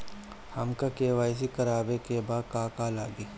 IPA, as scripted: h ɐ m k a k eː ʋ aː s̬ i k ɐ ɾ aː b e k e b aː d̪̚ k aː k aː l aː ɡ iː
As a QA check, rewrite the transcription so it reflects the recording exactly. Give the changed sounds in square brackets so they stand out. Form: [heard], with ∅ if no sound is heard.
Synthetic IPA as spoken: h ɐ m k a k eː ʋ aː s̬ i k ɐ ɾ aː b e k e b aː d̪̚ k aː k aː l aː ɡ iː

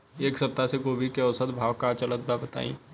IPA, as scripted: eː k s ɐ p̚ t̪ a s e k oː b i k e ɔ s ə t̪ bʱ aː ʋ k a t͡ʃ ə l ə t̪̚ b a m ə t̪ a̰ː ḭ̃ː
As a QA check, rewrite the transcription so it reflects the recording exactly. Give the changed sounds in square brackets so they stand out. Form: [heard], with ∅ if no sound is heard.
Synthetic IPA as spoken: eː k s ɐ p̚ t̪ a s e k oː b i k e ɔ s ə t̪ bʱ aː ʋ k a t͡ʃ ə l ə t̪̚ b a [b] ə t̪ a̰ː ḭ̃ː

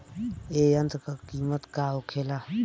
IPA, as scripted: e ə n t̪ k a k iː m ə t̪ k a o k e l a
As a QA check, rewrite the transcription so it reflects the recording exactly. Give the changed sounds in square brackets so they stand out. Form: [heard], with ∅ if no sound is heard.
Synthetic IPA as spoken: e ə n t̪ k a k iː m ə t̪ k a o [kʰ] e l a

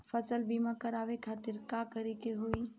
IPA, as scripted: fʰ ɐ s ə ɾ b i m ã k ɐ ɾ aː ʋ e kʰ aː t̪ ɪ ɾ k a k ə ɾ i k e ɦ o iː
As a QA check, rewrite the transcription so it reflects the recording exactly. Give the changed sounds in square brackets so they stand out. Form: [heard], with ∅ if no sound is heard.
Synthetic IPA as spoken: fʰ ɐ s ə [l] b i m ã k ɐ ɾ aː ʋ e kʰ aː t̪ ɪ ɾ k a k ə ɾ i k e ɦ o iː

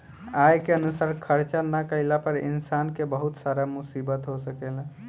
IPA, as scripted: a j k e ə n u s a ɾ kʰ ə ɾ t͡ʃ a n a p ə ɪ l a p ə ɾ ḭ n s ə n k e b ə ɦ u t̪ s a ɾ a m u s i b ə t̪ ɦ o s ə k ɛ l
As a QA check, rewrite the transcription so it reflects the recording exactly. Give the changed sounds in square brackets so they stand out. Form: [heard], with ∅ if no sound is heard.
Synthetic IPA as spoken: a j k e ə n u s a ɾ kʰ ə ɾ t͡ʃ a n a [k] ə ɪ l a p ə ɾ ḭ n s [a] n k e b ə ɦ u t̪ s a ɾ a m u s i b ə t̪ ɦ o s ə k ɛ l

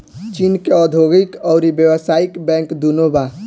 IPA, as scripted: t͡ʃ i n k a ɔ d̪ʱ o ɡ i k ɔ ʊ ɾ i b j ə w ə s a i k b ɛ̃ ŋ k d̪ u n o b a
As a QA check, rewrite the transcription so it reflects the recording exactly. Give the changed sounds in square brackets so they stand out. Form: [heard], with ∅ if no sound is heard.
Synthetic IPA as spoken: t͡ʃ i n k [e] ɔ d̪ʱ o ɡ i k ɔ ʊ ɾ i b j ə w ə s a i k b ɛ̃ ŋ k d̪ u n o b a

